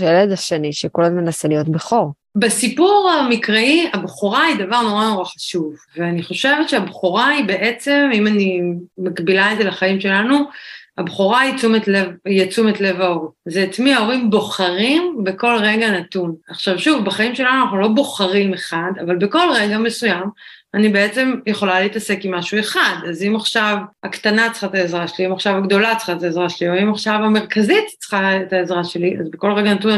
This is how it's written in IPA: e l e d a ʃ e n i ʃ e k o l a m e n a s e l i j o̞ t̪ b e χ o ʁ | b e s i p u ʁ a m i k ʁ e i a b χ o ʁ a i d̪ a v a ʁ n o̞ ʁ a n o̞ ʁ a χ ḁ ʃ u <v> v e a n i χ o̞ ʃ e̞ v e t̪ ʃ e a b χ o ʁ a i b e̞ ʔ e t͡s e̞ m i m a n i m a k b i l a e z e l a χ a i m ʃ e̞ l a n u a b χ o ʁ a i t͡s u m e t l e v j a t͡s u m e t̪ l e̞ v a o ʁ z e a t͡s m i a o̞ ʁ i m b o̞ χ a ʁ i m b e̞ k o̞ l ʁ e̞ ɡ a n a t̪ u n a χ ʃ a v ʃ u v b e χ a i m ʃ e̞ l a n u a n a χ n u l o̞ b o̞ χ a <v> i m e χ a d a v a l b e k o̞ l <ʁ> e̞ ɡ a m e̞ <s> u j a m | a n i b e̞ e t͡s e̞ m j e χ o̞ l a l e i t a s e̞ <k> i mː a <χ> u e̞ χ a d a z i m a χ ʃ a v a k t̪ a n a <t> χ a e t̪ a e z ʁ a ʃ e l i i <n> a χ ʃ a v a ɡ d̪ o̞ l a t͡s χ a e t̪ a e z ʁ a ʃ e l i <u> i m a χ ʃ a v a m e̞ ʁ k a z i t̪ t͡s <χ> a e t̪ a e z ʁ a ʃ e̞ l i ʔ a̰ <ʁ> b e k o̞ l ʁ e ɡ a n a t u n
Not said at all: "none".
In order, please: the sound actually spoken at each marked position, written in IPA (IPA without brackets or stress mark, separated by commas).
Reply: v, ʁ, ʁ, s, k, ʃ, t͡s, m, o, χ, z